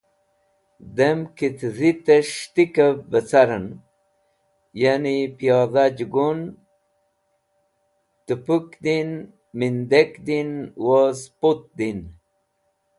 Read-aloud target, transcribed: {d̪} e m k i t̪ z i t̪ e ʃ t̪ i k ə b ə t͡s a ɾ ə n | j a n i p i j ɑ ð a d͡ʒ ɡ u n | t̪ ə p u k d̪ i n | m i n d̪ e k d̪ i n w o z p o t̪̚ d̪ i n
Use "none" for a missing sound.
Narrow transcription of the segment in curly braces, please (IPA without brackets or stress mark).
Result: d̪